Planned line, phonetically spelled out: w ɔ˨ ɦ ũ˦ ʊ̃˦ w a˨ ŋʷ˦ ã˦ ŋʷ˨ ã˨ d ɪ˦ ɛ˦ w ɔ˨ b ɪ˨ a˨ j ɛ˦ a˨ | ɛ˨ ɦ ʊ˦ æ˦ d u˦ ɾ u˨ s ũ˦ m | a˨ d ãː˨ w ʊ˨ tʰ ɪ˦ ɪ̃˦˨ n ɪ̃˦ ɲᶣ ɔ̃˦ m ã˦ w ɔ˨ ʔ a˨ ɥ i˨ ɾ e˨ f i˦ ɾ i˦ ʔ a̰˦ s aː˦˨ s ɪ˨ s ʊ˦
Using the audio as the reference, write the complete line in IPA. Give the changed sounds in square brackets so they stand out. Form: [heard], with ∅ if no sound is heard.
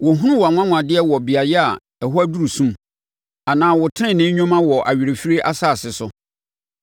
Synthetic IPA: w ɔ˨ ɦ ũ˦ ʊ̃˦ w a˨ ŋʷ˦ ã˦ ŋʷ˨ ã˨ d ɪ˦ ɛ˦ w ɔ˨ b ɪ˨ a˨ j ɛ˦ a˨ | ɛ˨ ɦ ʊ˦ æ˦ d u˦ ɾ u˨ s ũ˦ m | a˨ [n] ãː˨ w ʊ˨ tʰ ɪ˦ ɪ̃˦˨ n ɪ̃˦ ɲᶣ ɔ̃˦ m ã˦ w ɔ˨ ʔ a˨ ɥ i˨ ɾ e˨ f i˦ ɾ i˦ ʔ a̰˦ s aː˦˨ s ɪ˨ s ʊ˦